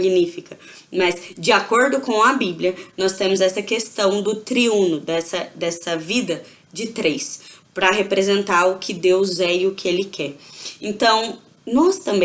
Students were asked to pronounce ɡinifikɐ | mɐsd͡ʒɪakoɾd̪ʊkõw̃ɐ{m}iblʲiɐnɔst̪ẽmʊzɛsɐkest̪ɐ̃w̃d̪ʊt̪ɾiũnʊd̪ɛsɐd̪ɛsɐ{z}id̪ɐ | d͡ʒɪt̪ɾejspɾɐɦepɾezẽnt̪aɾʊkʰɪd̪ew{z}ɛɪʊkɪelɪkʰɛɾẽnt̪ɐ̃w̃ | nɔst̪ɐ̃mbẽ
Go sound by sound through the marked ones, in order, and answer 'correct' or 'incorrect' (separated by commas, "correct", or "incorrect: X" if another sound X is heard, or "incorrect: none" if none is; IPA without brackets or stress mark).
incorrect: b, incorrect: v, correct